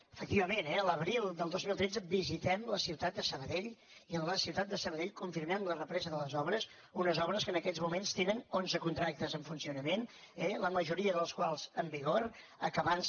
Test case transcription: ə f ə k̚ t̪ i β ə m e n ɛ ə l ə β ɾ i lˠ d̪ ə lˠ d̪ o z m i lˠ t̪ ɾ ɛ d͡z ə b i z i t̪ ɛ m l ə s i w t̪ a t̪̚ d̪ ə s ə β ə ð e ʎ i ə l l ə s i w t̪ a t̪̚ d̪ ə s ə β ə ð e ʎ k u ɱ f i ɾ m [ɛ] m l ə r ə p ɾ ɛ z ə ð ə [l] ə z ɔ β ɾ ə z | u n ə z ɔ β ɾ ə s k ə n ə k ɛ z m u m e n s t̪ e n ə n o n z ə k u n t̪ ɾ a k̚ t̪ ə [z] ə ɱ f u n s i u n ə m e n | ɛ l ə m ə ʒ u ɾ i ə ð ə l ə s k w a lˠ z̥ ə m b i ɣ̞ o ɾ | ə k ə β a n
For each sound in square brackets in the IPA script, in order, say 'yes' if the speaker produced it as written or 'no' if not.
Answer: yes, yes, yes

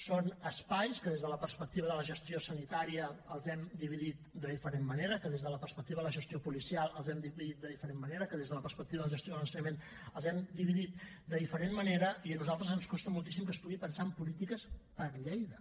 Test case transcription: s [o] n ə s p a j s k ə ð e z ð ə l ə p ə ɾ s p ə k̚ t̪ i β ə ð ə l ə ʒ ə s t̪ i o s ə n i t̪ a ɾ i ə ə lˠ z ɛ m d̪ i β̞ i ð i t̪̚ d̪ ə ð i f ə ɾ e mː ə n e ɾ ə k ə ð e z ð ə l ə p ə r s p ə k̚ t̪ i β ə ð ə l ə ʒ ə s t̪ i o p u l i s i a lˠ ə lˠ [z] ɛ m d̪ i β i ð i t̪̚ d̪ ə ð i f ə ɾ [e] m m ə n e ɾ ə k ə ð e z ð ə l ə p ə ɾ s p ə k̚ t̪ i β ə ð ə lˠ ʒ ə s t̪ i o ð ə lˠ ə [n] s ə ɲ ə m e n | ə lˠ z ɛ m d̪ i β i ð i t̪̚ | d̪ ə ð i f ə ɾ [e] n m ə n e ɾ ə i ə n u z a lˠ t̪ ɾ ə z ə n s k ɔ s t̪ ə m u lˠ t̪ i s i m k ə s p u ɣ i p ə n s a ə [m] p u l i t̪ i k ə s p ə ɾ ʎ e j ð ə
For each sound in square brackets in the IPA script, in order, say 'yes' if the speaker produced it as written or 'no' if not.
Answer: yes, yes, yes, yes, yes, yes

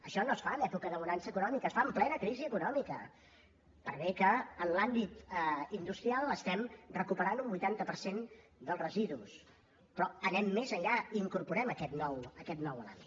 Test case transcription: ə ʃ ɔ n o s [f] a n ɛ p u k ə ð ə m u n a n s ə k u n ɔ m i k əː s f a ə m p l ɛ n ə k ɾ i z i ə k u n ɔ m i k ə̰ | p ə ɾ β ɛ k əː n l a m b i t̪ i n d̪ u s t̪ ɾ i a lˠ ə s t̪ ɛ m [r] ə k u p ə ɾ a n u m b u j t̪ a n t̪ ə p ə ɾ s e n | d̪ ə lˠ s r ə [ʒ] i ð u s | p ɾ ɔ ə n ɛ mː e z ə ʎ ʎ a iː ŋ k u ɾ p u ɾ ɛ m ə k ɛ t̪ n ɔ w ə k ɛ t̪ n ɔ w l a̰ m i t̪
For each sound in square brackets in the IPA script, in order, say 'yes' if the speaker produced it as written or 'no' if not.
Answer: yes, yes, no

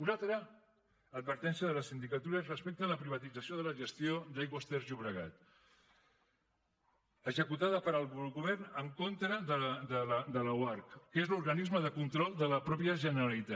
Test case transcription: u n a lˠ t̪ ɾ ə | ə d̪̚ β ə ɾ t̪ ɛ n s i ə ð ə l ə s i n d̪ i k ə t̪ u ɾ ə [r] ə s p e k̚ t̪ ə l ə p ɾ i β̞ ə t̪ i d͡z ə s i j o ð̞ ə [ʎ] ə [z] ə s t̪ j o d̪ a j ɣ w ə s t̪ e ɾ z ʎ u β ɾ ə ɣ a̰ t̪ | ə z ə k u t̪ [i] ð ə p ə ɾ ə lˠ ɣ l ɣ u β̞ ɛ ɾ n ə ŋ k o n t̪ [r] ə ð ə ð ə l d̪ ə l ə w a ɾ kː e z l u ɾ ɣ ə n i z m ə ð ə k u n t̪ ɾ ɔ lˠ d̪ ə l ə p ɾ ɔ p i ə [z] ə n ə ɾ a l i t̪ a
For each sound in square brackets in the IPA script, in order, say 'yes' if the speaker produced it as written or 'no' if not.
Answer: yes, no, no, no, no, no

